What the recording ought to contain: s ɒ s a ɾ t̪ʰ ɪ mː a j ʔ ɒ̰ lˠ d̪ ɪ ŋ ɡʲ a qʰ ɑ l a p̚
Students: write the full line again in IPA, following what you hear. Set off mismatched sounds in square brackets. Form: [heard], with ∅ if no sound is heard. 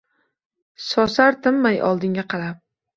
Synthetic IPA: s ɒ s a ɾ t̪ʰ ɪ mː a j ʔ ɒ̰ lˠ d̪ ɪ ŋ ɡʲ a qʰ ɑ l a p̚